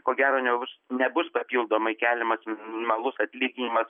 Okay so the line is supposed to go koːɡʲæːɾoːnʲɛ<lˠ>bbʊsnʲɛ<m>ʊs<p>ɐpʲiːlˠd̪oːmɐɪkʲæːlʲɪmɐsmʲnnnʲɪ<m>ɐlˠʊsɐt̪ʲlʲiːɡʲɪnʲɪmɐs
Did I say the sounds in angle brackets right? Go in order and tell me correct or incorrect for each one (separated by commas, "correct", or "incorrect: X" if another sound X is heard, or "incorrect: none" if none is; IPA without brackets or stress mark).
incorrect: none, incorrect: b, correct, correct